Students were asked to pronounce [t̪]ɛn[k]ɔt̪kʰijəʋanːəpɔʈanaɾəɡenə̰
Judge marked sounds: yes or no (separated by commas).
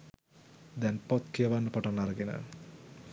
no, no